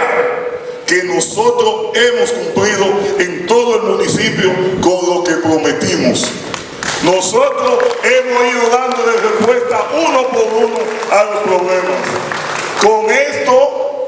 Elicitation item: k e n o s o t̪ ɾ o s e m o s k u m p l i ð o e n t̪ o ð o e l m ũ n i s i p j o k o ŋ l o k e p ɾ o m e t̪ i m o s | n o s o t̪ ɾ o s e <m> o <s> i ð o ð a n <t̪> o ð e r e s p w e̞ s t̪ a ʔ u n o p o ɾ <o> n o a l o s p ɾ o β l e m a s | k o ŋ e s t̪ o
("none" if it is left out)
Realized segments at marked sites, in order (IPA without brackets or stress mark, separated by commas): m, s, d̪, u